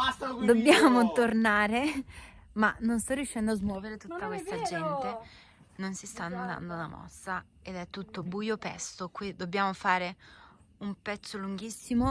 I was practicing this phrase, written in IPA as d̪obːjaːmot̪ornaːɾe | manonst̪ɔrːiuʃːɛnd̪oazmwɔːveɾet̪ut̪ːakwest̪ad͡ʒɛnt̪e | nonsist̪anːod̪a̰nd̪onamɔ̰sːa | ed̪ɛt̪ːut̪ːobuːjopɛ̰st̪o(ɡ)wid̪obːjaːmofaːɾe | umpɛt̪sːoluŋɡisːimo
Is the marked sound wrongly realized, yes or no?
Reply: yes